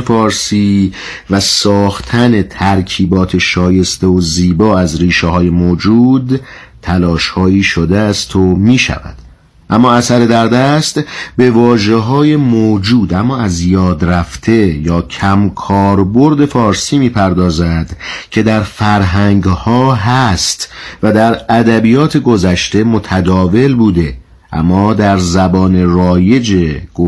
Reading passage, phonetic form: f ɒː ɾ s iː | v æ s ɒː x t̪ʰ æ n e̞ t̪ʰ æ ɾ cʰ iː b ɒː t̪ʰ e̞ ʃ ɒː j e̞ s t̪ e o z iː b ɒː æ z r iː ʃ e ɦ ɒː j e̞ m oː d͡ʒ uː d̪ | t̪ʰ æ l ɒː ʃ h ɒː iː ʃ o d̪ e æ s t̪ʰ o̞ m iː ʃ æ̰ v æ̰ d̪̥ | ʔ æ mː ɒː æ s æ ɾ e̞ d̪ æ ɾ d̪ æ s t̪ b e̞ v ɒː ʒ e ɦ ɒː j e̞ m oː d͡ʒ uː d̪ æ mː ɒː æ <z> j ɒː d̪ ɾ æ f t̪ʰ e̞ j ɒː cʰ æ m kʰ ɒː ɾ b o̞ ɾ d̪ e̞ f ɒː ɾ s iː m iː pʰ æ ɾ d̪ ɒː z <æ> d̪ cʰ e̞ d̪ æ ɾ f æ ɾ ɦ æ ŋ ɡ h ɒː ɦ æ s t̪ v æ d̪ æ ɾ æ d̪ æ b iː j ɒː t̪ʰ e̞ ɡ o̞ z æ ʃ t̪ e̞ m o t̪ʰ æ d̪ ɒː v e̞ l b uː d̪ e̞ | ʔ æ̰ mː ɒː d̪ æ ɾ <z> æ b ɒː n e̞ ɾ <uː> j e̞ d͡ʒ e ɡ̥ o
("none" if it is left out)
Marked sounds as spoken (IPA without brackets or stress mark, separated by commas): z, æ, z, ɒː